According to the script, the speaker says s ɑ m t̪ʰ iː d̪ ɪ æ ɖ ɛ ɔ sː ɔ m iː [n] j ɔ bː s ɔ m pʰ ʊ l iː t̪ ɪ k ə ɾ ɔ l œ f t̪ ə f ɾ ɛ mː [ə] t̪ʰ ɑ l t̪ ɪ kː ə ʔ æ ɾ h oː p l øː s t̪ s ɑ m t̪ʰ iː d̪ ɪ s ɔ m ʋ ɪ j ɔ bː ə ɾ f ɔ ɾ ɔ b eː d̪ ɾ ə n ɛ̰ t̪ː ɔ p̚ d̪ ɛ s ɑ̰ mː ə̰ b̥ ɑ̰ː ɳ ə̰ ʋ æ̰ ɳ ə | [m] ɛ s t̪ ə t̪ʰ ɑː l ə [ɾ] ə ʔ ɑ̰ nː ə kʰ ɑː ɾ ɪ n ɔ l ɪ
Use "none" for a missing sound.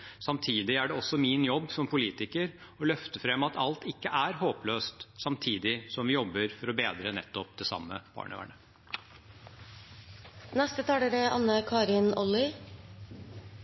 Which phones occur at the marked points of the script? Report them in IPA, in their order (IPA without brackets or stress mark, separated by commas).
n, ɑ, n, ɾ